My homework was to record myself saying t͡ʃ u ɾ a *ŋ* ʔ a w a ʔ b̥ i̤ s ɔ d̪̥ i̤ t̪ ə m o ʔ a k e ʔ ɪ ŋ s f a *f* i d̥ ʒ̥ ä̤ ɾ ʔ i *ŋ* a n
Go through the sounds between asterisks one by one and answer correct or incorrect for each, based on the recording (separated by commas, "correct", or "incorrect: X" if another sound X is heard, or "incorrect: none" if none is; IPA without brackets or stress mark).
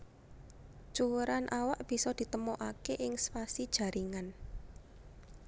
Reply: incorrect: n, incorrect: s, correct